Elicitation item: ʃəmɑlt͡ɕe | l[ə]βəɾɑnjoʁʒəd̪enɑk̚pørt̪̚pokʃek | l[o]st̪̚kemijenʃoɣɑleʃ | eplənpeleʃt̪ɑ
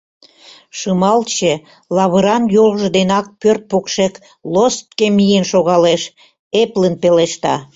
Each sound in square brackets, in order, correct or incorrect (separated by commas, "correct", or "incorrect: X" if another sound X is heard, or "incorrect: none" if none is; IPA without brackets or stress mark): incorrect: ɑ, correct